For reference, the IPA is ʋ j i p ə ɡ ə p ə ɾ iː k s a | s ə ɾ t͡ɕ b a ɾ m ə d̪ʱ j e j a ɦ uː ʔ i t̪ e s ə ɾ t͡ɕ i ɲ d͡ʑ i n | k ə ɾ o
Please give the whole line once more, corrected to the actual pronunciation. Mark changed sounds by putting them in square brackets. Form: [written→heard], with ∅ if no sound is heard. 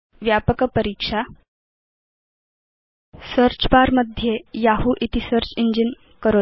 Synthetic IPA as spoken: ʋ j [i→a] p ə [ɡ→k] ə p ə ɾ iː k [s→ʂ] a | s ə ɾ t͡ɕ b a ɾ m ə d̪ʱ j e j a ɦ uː ʔ i t̪ [e→i] s ə ɾ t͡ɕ i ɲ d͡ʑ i n | k ə ɾ o